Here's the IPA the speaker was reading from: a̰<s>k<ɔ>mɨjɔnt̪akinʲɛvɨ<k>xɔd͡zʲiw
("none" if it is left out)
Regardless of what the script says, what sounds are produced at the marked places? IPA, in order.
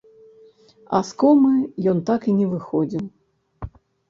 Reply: s, ɔ, none

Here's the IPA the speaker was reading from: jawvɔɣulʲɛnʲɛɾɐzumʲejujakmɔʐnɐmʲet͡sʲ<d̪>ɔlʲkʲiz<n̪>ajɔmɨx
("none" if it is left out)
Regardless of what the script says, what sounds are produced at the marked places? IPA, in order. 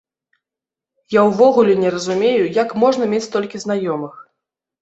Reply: t̪, n̪

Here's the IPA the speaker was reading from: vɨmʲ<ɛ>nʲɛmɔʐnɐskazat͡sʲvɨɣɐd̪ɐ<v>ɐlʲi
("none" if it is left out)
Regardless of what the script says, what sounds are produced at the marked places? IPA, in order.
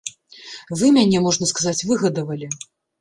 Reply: a, v

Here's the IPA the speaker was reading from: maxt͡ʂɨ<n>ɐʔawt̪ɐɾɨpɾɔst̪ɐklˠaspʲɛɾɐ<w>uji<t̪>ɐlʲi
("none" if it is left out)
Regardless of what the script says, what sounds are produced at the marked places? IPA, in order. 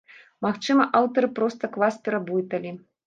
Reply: m, b, t̪

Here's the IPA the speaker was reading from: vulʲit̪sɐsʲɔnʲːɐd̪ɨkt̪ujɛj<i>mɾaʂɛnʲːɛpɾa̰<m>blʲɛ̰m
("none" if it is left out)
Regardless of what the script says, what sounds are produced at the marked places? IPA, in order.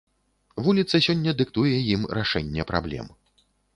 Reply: i, none

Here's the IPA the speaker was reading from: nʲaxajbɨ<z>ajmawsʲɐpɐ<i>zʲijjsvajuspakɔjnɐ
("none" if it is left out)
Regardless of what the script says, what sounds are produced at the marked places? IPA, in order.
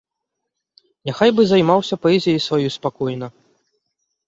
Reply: z, ɛ

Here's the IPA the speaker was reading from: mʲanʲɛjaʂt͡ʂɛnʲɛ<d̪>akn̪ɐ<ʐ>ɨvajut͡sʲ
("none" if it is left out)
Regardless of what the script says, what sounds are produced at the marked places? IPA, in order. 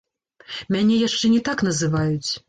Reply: t̪, z

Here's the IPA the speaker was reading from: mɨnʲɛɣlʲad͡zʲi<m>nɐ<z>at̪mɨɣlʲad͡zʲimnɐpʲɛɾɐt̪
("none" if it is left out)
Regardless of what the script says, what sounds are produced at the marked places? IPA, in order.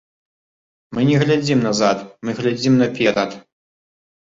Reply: m, z

